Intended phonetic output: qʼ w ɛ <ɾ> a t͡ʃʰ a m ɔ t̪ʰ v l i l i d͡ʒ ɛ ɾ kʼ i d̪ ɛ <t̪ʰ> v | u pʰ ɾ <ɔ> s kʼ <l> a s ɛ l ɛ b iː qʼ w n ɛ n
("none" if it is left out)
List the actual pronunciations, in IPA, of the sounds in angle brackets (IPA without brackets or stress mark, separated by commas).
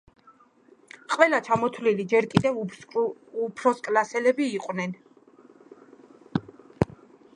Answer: l, none, ɔ, l